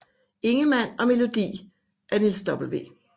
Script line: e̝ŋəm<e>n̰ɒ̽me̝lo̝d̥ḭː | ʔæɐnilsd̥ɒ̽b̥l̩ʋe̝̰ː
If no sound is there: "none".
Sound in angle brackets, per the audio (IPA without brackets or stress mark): æ